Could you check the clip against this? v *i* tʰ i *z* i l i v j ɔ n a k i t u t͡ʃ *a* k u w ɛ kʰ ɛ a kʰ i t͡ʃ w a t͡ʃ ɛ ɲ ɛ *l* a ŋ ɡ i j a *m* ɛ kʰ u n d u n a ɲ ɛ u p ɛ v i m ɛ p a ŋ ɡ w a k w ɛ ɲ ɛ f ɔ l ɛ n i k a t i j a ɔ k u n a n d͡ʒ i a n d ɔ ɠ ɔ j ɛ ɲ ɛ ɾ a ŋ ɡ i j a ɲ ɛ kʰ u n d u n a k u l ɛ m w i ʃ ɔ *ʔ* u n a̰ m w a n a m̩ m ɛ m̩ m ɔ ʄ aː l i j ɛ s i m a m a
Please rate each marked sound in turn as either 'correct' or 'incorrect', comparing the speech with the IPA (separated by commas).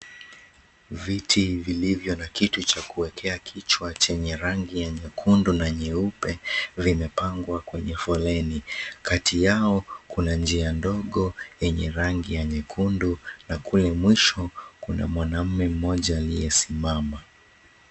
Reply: correct, incorrect, correct, incorrect, incorrect, incorrect